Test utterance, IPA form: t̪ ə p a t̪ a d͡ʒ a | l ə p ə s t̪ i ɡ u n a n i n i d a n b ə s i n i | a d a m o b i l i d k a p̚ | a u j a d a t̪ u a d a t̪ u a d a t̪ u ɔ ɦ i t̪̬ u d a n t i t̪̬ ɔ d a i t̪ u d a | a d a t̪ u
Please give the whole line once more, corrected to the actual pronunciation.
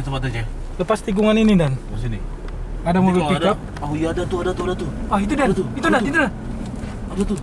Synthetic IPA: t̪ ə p a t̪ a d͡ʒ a | l ə p a s t̪ i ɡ u ŋ a n i n i d a n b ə s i n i | a d a m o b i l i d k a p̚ | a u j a d a t̪ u a d a t̪ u a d a t̪ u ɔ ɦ i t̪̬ u d a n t i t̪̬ u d a i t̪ u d a | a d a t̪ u